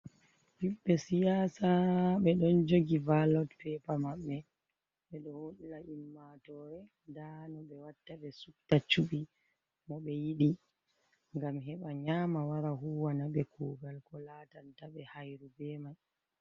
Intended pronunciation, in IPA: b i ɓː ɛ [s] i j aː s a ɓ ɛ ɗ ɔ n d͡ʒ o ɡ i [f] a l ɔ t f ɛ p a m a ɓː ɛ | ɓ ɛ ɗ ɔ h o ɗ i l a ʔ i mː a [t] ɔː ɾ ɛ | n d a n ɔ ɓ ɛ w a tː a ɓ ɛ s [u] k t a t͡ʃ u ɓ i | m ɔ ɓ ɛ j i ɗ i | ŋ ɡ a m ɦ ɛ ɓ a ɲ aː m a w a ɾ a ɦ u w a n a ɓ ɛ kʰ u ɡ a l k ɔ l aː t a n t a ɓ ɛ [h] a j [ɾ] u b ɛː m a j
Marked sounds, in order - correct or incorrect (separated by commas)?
correct, incorrect, correct, correct, correct, correct